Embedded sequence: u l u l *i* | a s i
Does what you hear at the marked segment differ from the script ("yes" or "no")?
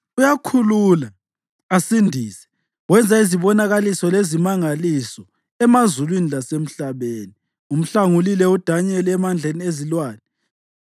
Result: yes